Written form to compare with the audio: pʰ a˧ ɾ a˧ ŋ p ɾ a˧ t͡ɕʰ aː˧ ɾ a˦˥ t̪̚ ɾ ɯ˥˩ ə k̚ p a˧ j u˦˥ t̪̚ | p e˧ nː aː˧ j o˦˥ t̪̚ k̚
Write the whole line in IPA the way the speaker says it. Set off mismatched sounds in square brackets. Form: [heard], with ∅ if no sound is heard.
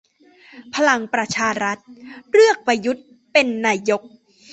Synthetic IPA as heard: pʰ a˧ [l] a˧ ŋ p ɾ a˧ t͡ɕʰ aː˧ ɾ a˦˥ t̪̚ ɾ ɯ˥˩ ə k̚ p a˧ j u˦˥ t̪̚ | p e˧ nː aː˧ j o˦˥ [∅] k̚